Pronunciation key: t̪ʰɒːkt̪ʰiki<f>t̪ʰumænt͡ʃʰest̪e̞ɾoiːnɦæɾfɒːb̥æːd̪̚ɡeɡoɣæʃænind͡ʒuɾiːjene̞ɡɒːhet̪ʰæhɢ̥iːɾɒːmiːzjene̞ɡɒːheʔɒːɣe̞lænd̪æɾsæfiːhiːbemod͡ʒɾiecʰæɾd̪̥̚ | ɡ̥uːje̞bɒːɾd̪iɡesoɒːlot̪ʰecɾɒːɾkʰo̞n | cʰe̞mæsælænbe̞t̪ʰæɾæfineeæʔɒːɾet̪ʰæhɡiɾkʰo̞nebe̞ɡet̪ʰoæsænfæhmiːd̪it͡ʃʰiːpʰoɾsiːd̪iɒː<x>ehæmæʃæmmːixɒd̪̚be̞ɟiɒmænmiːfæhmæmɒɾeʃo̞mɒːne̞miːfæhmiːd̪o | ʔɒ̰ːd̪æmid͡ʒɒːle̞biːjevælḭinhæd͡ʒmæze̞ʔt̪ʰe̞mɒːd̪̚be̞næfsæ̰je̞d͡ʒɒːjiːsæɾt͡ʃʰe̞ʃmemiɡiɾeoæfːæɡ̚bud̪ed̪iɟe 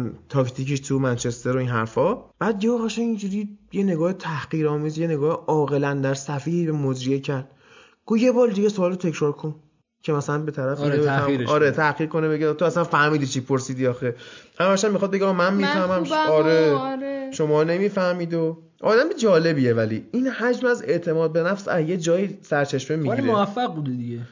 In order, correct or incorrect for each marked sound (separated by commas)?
incorrect, correct